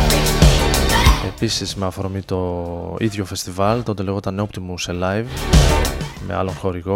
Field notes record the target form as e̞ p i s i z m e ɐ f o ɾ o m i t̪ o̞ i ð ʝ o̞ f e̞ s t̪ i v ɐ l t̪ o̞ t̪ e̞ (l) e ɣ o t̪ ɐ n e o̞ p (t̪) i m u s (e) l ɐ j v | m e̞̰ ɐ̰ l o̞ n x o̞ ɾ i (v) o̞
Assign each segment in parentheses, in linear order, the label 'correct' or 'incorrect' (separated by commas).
correct, correct, correct, incorrect